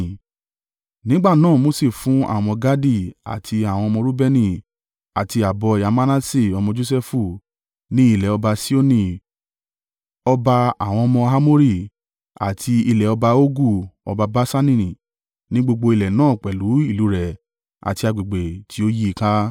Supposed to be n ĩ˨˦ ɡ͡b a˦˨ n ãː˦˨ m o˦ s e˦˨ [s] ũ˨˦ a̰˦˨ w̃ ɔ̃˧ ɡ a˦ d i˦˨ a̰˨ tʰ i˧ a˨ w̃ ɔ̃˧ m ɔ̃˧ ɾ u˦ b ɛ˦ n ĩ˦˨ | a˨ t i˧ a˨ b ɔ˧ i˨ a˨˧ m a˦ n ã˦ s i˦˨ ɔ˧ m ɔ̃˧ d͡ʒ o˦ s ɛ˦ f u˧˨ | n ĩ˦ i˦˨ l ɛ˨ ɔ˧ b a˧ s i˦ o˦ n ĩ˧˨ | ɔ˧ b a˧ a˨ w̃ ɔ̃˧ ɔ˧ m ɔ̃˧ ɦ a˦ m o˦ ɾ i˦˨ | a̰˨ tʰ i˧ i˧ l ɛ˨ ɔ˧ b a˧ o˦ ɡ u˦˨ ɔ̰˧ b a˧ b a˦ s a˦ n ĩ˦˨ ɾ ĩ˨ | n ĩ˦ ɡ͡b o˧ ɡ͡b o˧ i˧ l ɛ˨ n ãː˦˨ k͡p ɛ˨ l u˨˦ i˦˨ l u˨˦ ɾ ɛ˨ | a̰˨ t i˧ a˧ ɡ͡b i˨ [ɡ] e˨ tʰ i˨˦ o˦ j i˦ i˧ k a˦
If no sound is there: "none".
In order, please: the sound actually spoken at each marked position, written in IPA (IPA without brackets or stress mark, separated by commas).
f, ɡ͡b